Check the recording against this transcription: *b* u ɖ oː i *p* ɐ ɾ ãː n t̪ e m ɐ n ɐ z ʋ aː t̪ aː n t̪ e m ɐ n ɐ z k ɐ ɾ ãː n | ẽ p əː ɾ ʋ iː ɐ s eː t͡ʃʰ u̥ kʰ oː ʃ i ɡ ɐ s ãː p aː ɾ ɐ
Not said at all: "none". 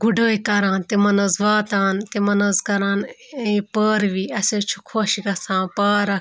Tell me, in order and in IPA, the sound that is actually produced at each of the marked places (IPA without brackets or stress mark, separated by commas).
ɡ, k